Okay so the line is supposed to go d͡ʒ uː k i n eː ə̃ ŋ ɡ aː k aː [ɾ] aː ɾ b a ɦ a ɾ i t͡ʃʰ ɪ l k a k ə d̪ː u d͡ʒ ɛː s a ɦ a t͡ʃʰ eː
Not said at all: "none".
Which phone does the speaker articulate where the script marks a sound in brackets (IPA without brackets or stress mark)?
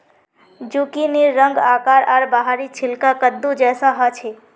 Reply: ɾ